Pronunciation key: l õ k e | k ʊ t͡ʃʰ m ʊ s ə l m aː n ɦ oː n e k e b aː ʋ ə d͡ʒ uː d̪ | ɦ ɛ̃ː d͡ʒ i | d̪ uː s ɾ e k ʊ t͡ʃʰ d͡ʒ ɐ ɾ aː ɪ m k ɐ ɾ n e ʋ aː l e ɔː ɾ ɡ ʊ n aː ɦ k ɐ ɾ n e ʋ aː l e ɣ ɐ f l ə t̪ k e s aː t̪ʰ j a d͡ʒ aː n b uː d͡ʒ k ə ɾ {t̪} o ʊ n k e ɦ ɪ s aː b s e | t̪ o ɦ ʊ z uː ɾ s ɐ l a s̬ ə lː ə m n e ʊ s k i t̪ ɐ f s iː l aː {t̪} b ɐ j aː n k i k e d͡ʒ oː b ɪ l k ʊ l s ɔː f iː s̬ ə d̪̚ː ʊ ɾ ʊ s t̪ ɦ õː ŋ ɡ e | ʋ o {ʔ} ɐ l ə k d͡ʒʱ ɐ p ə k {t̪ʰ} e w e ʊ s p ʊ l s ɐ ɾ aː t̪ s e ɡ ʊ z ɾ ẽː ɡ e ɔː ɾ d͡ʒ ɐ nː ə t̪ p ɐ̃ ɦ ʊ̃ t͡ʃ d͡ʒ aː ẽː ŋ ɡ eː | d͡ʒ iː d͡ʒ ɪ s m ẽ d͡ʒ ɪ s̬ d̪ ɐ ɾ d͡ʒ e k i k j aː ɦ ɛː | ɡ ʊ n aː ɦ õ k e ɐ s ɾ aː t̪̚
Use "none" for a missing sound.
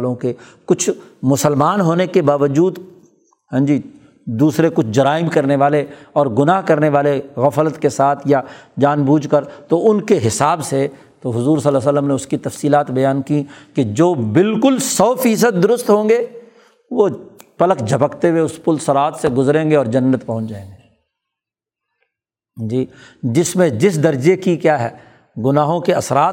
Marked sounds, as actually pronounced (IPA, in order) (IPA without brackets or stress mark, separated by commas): t̪, t̪, p, t̪